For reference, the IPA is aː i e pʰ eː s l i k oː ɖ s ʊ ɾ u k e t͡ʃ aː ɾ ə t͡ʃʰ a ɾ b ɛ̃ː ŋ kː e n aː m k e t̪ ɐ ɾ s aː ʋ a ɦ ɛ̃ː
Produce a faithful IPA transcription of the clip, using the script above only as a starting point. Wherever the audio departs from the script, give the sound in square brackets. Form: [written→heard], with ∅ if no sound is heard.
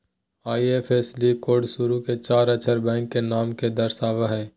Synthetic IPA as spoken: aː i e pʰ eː s l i k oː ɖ s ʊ ɾ u k e t͡ʃ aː ɾ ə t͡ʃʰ [a→ə] ɾ b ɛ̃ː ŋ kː e n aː m k e [t̪→d̪] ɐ ɾ s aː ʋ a ɦ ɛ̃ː